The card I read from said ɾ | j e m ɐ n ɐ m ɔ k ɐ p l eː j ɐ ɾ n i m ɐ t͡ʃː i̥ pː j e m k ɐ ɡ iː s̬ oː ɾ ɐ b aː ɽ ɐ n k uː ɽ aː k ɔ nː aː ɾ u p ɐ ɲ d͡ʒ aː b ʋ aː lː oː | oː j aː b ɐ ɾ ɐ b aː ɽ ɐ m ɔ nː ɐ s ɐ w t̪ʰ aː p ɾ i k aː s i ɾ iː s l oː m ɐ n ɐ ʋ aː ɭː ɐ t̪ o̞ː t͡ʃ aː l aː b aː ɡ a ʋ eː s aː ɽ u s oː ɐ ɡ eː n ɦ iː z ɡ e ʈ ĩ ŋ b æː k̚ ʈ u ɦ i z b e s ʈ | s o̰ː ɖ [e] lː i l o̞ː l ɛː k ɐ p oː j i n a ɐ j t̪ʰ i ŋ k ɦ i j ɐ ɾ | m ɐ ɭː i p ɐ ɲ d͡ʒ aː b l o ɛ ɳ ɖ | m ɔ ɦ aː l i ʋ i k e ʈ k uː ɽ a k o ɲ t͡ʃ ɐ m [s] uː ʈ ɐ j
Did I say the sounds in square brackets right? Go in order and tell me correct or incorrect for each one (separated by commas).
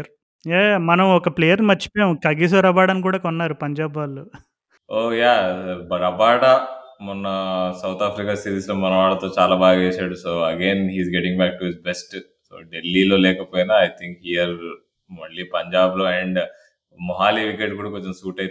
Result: correct, correct